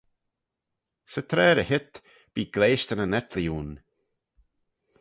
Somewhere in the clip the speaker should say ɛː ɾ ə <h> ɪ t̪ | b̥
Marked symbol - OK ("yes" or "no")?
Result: yes